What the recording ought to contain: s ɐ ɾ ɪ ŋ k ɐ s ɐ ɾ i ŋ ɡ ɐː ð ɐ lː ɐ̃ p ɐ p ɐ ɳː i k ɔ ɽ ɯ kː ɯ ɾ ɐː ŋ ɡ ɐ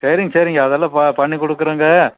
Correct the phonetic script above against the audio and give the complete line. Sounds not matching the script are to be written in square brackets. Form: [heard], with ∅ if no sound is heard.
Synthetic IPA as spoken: s ɐ ɾ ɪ ŋ [ɡ] ɐ s ɐ ɾ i ŋ ɡ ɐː ð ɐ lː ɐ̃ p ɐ p ɐ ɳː i k ɔ ɽ ɯ kː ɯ ɾ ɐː ŋ ɡ ɐ